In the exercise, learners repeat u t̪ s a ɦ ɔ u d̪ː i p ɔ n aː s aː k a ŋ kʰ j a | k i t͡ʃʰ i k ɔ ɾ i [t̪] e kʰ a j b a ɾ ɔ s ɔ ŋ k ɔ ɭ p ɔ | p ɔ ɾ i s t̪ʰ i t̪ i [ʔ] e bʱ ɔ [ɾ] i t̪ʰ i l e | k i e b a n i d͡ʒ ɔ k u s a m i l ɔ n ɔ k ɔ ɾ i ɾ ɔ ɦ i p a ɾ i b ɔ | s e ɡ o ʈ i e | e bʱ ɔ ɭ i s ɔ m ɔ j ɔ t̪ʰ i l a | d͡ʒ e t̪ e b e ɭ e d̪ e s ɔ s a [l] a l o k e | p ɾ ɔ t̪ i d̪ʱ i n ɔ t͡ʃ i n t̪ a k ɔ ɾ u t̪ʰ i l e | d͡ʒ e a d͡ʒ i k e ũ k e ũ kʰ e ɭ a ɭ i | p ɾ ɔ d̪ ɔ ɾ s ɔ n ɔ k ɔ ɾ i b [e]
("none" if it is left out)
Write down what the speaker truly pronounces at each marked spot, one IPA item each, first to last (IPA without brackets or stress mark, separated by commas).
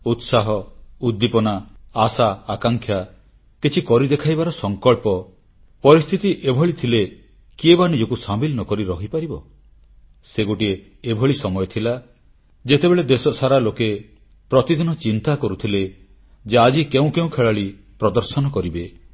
d̪, ʔ, ɭ, ɾ, e